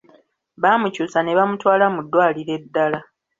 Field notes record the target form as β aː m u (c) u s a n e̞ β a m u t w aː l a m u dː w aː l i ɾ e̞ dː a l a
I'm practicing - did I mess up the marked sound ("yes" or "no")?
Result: no